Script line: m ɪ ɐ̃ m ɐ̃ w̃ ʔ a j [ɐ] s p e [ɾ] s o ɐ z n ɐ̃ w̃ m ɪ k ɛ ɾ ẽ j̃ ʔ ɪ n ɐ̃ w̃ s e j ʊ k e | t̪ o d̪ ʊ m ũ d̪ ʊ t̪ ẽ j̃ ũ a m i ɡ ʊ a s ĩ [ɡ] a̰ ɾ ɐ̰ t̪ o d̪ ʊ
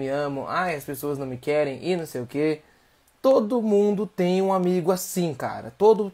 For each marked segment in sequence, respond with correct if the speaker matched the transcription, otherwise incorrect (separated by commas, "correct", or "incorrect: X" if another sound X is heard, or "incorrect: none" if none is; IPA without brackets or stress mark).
correct, incorrect: none, incorrect: k